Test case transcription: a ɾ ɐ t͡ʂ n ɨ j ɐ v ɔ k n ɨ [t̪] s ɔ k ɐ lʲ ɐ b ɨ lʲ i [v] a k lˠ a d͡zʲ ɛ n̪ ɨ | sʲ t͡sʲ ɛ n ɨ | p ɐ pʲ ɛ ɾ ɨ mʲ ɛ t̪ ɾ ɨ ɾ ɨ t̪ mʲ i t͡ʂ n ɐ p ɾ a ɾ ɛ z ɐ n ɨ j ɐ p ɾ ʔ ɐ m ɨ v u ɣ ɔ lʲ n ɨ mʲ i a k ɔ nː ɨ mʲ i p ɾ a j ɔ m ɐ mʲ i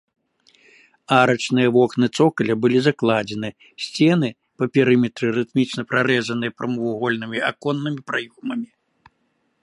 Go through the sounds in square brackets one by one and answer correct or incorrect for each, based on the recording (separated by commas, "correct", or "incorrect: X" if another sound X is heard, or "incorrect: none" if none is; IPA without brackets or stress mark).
correct, incorrect: z